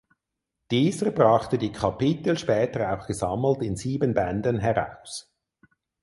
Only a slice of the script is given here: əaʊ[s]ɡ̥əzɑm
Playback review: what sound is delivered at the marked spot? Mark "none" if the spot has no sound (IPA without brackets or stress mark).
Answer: x